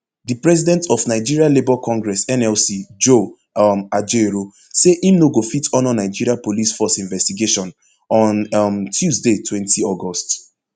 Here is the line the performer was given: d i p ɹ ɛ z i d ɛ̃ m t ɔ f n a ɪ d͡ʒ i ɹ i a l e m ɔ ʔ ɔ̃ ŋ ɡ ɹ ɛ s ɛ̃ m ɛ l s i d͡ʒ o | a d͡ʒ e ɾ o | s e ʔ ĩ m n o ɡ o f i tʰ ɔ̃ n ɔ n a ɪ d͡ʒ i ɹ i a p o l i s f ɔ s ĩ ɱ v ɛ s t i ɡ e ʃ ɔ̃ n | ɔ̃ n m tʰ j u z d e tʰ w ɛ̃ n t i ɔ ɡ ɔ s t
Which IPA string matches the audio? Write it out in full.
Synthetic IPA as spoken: d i p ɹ ɛ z i d ɛ̃ n t ɔ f n a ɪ d͡ʒ i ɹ i a l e b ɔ k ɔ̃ ŋ ɡ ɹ ɛ s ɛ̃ n ɛ l s i d͡ʒ o | a d͡ʒ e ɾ o | s e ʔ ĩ m n o ɡ o f i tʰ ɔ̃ n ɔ n a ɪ d͡ʒ i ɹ i a p o l i s f ɔ s ĩ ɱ v ɛ s t i ɡ e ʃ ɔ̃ n | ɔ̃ n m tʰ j u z d e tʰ w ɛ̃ n t i ɔ ɡ ɔ s t